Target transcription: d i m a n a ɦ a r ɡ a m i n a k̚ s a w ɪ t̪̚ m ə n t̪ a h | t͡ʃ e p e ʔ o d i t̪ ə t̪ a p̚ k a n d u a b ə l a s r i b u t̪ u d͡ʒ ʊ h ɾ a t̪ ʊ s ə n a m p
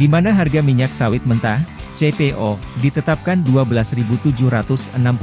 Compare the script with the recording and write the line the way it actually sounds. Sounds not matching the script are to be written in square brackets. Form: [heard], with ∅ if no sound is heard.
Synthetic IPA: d i m a n a ɦ a r ɡ a m i [ɲ] a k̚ s a w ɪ t̪̚ m ə n t̪ a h | t͡ʃ e p e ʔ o d i t̪ ə t̪ a p̚ k a n d u a b ə l a s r i b u t̪ u d͡ʒ ʊ h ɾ a t̪ ʊ s ə n a m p